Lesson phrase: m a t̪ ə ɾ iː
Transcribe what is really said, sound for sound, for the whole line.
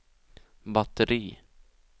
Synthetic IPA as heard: b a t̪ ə ɾ iː